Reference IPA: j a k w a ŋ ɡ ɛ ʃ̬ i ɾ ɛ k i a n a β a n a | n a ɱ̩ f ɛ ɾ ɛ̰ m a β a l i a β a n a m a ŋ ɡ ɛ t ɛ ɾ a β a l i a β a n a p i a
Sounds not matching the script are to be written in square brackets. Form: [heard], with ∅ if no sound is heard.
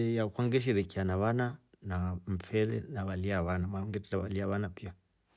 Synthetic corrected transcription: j a k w a ŋ ɡ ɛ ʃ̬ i ɾ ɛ k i a n a β a n a | n a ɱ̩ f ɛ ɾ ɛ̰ [n] a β a l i a β a n a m a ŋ ɡ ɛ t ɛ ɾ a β a l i a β a n a p i a